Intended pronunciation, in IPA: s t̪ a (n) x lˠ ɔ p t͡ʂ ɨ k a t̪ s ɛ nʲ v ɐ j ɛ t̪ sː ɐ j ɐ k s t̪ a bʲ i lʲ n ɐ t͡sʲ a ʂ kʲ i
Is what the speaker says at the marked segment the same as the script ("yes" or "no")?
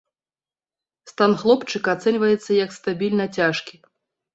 yes